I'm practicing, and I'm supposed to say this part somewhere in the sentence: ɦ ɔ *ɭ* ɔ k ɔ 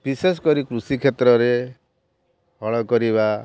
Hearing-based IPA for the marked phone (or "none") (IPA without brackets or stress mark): ɭ